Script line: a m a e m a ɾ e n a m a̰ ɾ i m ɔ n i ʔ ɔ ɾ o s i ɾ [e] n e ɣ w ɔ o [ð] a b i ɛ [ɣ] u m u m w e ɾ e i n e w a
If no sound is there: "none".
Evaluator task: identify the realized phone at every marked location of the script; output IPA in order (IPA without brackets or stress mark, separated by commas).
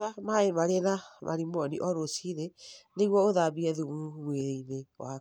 e, ð, ð